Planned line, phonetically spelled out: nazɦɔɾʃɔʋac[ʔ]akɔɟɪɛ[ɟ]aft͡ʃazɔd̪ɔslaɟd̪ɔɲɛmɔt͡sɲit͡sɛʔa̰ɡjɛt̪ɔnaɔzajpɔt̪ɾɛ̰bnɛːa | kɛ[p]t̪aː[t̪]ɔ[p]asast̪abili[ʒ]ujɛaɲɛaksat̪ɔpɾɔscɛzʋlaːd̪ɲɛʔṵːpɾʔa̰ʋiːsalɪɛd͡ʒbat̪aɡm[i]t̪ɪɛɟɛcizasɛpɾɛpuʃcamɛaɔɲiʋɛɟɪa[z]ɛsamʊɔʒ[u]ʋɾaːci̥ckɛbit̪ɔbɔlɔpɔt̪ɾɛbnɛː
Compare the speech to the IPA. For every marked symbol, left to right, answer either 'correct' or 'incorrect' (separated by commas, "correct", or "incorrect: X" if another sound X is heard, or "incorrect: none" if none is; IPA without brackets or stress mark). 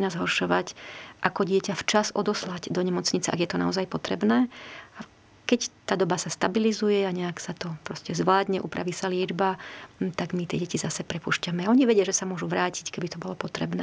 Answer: correct, incorrect: c, incorrect: c, incorrect: d̪, incorrect: b, incorrect: z, correct, incorrect: ʒ, correct